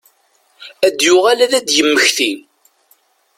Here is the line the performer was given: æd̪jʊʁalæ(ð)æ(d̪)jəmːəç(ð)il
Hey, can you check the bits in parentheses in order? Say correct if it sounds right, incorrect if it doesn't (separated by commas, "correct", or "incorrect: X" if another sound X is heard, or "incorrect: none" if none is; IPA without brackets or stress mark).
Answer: correct, correct, incorrect: θ